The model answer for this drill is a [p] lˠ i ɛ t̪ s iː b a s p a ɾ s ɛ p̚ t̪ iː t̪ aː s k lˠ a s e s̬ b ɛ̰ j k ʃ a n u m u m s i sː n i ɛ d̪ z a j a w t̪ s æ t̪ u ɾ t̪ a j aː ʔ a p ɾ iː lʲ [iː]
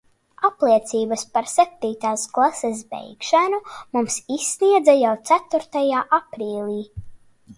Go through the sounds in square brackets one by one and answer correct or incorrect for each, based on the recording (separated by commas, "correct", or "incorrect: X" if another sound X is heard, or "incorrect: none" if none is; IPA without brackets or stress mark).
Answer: correct, correct